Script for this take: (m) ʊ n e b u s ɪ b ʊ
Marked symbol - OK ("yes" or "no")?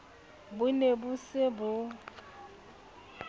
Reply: no